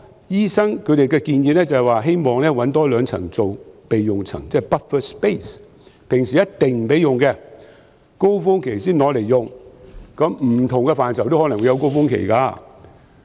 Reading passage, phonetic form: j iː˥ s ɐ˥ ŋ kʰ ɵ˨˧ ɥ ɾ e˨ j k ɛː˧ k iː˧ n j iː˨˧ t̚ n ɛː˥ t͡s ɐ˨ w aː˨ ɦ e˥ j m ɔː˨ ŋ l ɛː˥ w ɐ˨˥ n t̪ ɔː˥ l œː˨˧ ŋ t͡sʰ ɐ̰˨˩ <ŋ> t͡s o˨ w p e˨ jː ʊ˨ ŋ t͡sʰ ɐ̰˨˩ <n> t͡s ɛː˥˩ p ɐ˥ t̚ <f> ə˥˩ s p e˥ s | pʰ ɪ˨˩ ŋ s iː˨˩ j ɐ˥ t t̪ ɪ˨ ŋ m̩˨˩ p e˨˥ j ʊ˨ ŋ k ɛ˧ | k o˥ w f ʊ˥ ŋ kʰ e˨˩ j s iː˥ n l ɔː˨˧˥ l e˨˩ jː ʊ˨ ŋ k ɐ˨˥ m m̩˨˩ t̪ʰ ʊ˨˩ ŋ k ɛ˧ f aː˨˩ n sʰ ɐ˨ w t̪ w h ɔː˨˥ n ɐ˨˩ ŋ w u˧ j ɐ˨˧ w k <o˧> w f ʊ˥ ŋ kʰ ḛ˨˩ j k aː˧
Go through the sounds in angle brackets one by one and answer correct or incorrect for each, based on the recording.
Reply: correct, incorrect, correct, incorrect

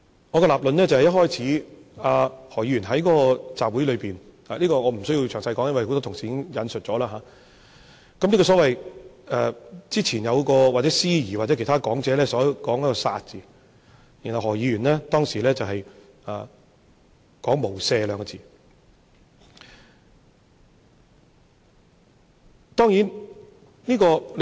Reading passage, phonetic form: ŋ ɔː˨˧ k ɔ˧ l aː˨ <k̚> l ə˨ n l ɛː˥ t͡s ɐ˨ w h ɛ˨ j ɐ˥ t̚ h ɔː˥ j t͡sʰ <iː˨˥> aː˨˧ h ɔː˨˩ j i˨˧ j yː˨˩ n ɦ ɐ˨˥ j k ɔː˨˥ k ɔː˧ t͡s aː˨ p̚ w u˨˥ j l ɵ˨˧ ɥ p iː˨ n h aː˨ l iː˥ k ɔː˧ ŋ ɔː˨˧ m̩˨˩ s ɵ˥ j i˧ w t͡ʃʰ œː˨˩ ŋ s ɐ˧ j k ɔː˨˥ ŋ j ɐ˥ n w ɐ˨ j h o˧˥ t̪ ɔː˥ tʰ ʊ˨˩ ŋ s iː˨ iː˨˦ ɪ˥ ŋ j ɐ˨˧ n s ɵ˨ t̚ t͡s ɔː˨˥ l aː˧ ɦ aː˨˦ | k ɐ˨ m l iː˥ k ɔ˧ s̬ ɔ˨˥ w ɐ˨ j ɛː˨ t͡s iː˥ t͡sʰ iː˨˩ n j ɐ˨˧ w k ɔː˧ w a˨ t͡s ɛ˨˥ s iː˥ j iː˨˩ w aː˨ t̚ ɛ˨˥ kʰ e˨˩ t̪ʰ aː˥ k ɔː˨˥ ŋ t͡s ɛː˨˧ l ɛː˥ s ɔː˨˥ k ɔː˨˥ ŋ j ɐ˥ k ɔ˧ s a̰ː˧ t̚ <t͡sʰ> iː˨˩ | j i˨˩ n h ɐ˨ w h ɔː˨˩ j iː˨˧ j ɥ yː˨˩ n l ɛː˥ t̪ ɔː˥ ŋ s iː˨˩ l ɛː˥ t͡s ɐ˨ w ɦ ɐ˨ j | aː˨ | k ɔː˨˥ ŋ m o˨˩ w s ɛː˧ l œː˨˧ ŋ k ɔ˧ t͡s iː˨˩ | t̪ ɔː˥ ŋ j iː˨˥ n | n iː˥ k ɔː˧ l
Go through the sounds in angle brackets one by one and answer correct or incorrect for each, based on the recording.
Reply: incorrect, correct, incorrect

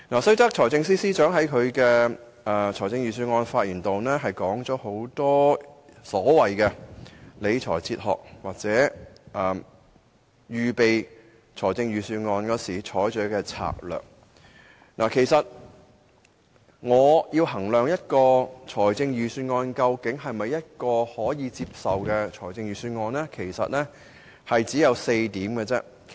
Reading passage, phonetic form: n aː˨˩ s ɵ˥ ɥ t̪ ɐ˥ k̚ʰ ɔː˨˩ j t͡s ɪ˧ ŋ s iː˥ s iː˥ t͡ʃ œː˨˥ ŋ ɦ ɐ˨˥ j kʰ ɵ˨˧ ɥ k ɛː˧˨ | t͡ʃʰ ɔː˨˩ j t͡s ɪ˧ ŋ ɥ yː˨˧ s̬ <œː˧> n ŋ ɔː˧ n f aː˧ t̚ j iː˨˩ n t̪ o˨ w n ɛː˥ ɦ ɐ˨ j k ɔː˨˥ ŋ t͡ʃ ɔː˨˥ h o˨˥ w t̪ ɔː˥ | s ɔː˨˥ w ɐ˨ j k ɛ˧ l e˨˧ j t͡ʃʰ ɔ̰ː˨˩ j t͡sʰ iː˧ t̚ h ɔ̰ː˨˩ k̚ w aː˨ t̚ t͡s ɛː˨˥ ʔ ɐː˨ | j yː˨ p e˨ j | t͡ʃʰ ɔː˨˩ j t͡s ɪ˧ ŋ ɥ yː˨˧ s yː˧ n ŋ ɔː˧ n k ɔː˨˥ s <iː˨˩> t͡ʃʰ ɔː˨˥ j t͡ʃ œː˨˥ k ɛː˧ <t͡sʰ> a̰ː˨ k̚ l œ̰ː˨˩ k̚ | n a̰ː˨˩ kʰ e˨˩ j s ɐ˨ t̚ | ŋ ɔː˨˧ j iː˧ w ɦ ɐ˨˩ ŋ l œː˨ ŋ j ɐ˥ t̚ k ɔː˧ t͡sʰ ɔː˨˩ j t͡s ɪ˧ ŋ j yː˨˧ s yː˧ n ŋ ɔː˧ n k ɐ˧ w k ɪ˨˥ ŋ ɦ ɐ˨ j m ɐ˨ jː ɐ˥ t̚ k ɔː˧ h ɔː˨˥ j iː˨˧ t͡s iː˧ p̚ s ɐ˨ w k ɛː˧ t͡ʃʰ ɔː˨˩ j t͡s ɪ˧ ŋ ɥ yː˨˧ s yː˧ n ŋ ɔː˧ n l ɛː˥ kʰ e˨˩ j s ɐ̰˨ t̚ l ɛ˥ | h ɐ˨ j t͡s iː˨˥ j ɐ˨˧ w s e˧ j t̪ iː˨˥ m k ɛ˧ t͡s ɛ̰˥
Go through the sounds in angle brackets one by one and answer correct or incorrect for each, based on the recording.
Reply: incorrect, correct, correct

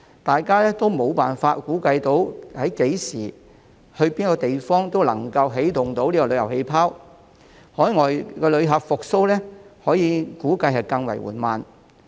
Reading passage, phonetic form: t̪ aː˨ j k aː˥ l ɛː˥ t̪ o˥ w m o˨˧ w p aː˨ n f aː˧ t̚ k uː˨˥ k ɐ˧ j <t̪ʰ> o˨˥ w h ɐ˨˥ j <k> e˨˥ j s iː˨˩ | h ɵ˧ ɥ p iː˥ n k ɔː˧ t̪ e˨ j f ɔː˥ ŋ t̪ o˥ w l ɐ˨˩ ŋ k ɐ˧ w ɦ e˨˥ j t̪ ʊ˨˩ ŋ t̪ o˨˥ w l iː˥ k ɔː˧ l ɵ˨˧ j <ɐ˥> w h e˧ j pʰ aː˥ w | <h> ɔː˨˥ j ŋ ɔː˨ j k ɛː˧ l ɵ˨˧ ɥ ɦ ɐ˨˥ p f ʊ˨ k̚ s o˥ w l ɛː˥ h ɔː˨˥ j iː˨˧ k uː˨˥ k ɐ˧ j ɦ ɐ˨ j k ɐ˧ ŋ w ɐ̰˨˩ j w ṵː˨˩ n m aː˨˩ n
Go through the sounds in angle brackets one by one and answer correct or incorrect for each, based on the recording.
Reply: incorrect, correct, incorrect, correct

